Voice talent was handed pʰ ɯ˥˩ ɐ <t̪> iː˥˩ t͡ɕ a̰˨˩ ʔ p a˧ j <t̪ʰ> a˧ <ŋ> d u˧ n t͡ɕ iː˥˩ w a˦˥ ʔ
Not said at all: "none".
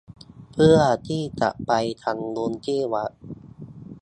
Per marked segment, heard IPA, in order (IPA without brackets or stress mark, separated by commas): t̪ʰ, t̪ʰ, ŋ